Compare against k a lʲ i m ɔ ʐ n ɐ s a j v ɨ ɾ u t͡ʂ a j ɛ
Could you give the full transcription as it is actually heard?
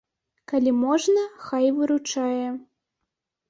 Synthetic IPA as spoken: k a lʲ i m ɔ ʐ n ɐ x a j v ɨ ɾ u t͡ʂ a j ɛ